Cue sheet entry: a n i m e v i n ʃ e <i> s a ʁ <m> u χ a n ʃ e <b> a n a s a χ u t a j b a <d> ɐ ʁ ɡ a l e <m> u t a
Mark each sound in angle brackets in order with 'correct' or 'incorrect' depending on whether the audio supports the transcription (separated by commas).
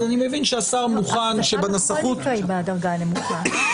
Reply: incorrect, correct, correct, correct, correct